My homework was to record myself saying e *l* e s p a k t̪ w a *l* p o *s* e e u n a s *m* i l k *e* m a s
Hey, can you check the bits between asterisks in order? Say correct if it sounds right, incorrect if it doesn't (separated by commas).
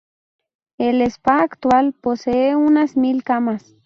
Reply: correct, correct, correct, correct, incorrect